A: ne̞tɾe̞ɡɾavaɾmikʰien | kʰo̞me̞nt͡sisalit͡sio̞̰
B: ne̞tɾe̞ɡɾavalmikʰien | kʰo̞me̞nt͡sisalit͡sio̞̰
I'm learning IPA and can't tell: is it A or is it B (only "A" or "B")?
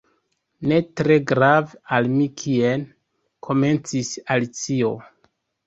B